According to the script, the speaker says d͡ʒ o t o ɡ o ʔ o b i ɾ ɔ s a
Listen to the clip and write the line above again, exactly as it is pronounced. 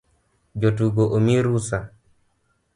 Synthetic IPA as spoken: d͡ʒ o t u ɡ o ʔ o m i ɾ u s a